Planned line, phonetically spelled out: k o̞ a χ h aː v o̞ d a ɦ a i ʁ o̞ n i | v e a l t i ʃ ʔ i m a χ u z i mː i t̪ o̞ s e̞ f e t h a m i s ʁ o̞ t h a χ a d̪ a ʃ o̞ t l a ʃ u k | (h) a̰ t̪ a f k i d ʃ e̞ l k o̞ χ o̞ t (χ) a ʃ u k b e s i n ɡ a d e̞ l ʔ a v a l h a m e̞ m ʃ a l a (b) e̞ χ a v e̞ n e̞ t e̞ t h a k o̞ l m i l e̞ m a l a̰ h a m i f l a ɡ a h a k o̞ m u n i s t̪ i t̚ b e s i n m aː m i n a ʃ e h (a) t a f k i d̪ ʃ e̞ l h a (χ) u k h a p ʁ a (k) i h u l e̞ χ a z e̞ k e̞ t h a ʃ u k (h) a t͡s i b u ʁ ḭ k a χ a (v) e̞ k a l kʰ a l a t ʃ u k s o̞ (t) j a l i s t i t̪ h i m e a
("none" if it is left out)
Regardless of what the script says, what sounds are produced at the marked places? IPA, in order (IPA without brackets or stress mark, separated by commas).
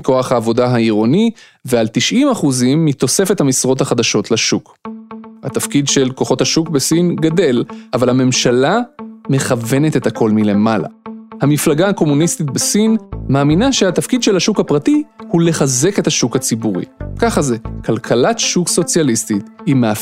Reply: h, h, m, a, ʃ, t, h, z, t͡s